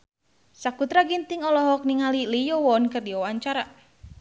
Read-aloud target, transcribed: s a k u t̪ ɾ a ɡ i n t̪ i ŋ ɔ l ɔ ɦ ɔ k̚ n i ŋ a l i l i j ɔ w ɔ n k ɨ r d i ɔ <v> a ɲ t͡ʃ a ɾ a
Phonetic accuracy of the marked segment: incorrect: w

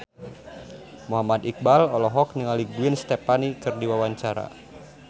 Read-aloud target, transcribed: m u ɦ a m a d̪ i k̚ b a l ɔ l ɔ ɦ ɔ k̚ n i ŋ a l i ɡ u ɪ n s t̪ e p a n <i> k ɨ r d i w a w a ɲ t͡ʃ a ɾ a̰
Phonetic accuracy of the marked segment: correct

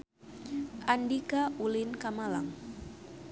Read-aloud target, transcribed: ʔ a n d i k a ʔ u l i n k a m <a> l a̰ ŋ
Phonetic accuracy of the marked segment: correct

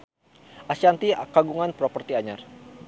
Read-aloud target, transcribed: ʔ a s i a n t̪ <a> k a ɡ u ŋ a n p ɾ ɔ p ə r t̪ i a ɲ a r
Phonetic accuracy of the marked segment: incorrect: i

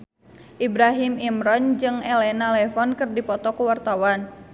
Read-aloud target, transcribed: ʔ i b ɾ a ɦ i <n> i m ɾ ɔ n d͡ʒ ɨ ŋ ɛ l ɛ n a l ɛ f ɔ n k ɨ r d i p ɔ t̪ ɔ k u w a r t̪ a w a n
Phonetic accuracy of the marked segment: incorrect: m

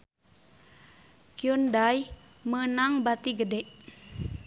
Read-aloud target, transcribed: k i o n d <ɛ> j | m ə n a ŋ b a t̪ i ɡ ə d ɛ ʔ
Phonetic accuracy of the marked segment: incorrect: a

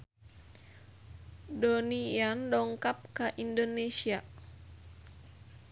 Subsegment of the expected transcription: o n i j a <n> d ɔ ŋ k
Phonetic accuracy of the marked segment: correct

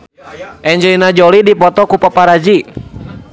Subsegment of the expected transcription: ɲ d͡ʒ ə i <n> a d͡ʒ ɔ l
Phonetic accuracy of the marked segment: correct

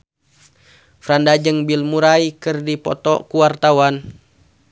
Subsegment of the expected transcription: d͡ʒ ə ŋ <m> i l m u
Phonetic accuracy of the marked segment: incorrect: b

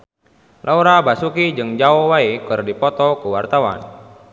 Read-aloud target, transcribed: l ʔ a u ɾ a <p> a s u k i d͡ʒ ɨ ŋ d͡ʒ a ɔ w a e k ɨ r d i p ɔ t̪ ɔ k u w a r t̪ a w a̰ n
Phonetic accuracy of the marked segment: incorrect: b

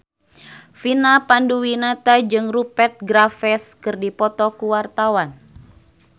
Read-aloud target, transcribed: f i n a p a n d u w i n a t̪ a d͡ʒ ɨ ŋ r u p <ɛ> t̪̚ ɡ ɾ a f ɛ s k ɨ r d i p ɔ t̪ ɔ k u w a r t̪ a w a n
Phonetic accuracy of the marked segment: correct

